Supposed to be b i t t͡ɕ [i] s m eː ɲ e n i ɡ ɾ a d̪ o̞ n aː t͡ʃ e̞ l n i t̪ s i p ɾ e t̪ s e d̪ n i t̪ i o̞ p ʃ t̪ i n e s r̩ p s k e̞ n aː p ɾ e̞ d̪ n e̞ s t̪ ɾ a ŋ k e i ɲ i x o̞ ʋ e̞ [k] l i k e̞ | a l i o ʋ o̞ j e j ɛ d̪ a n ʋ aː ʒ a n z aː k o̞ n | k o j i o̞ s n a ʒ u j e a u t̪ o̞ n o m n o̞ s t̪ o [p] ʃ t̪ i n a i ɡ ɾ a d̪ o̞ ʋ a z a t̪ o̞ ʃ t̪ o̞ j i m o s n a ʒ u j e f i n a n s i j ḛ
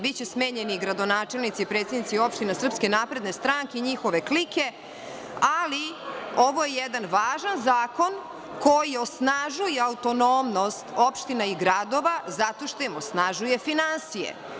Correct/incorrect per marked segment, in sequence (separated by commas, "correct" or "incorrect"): incorrect, correct, correct